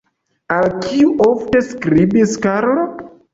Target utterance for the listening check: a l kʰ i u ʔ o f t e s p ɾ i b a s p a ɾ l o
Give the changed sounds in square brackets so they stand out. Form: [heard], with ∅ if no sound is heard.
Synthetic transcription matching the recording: a l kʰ i u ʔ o f t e s [k] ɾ i b [i] s [k] a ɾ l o

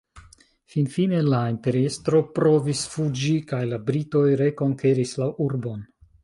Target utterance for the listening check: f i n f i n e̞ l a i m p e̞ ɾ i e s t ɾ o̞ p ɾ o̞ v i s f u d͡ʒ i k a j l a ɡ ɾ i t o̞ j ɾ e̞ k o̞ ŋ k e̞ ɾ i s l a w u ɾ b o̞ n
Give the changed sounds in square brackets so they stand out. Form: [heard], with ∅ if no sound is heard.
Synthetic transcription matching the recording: f i n f i n e̞ l a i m p e̞ ɾ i e s t ɾ o̞ p ɾ o̞ v i s f u d͡ʒ i k a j l a [b] ɾ i t o̞ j ɾ e̞ k o̞ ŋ k e̞ ɾ i s l a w u ɾ b o̞ n

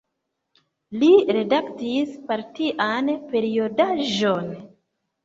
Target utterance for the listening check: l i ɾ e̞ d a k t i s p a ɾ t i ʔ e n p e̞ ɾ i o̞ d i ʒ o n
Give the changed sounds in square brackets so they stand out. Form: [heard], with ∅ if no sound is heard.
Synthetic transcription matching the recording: l i ɾ e̞ d a k t i s p a ɾ t i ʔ [a] n p e̞ ɾ i o̞ d [a] ʒ o n

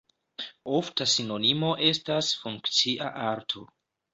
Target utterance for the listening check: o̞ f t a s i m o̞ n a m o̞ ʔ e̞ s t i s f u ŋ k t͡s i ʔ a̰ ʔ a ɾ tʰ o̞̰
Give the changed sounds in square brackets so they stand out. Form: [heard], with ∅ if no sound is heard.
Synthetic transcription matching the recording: o̞ f t a s i [n] o̞ n [i] m o̞ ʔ e̞ s t [a] s f u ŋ k t͡s i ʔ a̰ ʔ a ɾ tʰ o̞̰

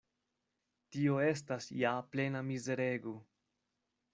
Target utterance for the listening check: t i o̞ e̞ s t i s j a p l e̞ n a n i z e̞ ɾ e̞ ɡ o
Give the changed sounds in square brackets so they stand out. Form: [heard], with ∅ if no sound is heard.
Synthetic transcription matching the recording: t i o̞ e̞ s t [a] s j a p l e̞ n a [m] i z e̞ ɾ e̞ ɡ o

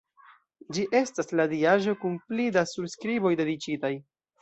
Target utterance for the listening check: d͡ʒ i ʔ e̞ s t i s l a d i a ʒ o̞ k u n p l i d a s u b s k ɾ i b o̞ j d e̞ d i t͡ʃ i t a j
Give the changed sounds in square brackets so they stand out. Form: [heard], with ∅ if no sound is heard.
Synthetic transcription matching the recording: d͡ʒ i ʔ e̞ s t [a] s l a d i a ʒ o̞ k u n p l i d a s u b s k ɾ i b o̞ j d e̞ d i t͡ʃ i t a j

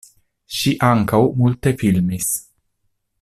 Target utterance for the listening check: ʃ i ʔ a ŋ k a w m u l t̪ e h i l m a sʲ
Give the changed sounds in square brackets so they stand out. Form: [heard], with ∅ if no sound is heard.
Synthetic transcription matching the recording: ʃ i ʔ a ŋ k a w m u l t̪ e [f] i l m [i] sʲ

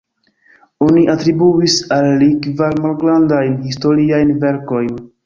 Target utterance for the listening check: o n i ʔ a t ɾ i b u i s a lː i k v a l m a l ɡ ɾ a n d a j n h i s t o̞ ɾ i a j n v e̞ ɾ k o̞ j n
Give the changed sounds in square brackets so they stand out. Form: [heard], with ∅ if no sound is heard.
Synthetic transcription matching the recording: o n i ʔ a t ɾ i b u i s a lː i k v a l m a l ɡ ɾ a n d a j n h i s t o̞ ɾ i a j n v e̞ ɾ k o̞ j n

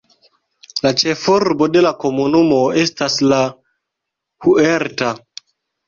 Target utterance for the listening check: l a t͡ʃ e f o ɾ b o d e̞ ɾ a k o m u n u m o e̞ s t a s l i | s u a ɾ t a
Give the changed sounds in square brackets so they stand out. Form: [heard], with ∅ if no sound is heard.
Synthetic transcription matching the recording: l a t͡ʃ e f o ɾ b o d e̞ [l] a k o m u n u m o e̞ s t a s l [a] | [h] u [e] ɾ t a

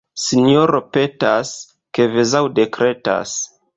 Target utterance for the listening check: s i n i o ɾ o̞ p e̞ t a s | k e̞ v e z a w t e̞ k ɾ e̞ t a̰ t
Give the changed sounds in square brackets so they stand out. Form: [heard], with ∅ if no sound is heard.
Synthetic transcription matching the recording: s i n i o ɾ o̞ p e̞ t a s | k e̞ v e z a w [d] e̞ k ɾ e̞ t a̰ [s]

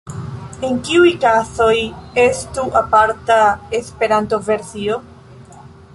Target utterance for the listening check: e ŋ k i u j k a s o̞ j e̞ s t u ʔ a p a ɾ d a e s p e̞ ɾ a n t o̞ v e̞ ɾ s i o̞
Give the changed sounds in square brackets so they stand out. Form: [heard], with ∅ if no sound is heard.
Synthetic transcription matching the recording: e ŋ k i u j k a s o̞ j e̞ s t u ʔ a p a ɾ [t] a e s p e̞ ɾ a n t o̞ v e̞ ɾ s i o̞

